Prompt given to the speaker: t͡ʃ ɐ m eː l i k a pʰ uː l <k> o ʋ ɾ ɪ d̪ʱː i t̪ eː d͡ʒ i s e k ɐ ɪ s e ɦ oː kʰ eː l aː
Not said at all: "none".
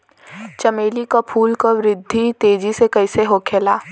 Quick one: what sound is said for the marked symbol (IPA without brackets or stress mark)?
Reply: k